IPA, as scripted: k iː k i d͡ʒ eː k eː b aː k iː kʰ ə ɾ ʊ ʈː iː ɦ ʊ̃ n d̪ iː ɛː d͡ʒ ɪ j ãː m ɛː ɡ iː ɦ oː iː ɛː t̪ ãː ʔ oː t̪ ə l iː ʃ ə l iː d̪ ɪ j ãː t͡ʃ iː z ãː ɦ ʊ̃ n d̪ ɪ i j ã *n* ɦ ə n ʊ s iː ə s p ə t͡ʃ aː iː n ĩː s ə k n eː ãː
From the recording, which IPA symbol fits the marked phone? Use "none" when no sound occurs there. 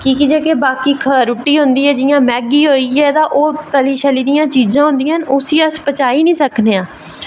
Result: none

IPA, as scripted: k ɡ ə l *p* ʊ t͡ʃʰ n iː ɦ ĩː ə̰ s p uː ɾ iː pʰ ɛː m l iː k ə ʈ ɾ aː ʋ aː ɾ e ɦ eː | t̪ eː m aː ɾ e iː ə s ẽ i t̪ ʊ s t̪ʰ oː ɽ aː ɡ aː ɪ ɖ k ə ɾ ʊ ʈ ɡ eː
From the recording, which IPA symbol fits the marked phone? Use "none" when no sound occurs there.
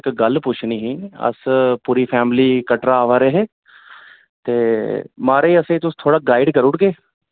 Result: p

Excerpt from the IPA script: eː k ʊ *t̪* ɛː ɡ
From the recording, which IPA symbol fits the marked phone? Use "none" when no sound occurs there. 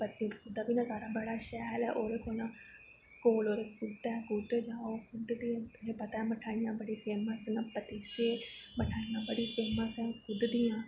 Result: d̪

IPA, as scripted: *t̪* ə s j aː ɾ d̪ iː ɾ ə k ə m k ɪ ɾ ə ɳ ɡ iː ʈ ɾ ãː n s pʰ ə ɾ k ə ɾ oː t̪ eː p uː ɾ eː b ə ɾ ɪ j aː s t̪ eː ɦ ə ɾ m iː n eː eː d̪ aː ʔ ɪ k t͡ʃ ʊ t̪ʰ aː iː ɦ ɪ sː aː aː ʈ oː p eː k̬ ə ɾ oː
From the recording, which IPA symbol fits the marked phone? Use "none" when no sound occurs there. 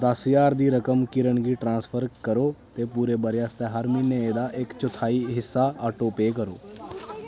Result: d̪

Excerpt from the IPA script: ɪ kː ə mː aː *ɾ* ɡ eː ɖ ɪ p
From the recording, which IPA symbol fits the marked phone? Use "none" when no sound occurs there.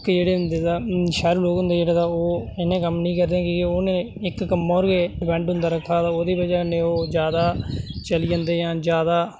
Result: ɾ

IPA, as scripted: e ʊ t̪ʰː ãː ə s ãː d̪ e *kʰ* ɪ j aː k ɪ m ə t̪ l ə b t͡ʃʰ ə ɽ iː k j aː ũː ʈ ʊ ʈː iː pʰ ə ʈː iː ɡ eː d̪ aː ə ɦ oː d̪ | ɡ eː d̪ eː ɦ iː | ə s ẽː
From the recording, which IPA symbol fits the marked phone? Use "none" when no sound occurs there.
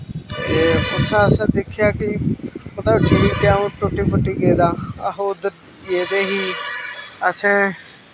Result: kʰ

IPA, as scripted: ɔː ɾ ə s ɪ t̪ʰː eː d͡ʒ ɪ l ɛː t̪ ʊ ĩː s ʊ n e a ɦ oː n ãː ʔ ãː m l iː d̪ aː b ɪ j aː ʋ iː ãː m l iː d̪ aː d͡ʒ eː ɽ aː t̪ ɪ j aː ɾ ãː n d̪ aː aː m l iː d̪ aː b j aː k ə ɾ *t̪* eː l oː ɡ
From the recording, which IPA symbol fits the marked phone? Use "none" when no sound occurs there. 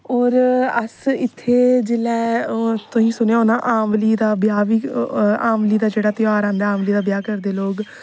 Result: d̪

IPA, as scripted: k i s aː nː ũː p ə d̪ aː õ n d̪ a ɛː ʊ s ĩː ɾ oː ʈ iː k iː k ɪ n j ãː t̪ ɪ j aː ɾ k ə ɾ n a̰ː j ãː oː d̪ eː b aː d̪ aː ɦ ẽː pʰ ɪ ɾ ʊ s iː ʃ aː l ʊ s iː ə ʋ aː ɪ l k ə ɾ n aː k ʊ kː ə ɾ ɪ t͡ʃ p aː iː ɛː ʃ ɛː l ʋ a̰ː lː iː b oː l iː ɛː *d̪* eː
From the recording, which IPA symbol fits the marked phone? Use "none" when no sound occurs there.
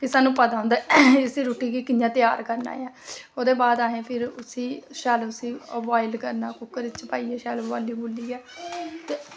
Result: t̪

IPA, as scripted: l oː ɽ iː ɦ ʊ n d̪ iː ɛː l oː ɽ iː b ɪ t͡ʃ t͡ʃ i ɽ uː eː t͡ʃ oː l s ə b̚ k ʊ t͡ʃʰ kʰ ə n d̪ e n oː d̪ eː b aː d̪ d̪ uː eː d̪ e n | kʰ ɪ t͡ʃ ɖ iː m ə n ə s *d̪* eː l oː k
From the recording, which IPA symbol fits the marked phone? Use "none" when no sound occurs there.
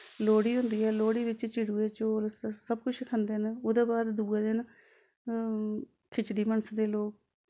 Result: d̪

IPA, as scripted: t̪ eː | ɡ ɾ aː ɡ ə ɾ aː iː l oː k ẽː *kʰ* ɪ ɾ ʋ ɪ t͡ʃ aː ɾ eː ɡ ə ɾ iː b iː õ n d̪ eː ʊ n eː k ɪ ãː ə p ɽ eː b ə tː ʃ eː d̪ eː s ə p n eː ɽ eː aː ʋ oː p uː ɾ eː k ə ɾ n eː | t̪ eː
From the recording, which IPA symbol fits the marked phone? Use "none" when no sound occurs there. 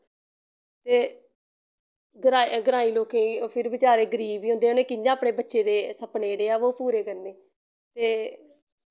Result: pʰ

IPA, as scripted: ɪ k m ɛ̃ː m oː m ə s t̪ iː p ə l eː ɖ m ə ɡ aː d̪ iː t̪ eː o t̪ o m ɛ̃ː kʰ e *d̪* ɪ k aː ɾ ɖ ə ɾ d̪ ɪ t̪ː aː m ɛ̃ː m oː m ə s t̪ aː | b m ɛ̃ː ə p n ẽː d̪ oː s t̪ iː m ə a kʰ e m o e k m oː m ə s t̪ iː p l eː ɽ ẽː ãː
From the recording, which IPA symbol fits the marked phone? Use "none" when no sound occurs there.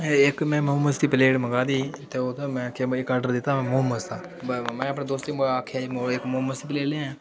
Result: none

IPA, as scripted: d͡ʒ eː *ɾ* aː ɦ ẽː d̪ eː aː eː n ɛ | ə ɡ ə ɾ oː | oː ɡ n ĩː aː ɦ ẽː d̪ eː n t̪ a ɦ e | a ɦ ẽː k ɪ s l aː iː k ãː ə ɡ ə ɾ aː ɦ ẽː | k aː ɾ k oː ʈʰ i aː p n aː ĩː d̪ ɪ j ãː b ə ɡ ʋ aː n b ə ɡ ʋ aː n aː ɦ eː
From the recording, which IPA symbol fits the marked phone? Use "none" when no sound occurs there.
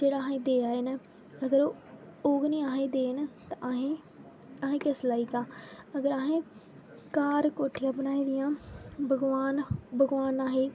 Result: ɽ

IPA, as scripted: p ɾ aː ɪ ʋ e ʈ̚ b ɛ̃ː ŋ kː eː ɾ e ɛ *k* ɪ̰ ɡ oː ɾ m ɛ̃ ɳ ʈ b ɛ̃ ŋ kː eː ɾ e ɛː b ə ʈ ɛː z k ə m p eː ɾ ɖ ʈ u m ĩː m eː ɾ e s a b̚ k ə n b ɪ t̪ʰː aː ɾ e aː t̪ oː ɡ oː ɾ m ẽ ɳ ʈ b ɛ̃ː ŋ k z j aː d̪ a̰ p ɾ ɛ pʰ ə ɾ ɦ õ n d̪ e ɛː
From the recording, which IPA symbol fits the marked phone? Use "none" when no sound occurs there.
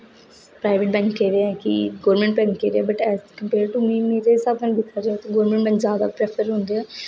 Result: k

